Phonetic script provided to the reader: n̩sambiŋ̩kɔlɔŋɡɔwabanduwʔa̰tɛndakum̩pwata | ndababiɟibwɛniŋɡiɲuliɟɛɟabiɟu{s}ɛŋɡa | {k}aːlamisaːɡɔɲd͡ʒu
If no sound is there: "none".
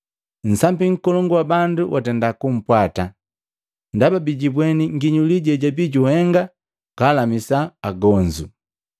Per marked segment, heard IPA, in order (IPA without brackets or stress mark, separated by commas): h, k